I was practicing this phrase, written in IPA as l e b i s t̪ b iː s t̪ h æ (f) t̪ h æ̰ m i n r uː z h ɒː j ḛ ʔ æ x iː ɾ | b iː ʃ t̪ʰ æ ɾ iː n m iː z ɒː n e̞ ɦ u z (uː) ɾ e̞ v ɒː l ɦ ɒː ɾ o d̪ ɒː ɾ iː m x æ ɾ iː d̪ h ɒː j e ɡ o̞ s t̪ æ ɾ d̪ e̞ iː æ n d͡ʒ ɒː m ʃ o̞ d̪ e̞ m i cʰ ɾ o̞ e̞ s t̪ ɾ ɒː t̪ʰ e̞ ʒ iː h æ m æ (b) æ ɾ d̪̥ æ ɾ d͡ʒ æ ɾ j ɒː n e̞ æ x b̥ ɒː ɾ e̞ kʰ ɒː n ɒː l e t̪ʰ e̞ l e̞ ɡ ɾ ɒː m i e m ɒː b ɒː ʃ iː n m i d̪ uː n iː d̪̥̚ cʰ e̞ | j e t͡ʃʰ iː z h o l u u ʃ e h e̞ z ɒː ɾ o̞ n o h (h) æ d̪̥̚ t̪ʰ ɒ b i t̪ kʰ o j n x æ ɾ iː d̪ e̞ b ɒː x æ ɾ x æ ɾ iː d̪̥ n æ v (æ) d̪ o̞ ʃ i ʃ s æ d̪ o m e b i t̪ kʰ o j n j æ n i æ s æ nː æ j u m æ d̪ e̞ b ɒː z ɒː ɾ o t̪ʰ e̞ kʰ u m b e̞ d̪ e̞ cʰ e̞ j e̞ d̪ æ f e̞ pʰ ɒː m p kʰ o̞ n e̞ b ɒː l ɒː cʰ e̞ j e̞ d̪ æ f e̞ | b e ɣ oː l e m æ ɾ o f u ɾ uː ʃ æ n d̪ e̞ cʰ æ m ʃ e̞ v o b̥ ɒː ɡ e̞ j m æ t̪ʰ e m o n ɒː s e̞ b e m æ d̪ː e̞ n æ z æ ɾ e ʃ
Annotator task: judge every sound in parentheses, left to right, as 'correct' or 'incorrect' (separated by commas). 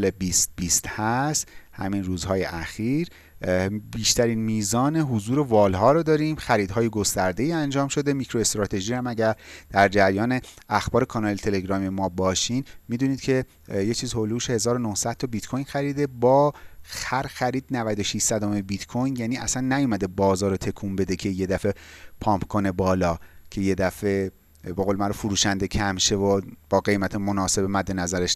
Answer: incorrect, correct, incorrect, incorrect, correct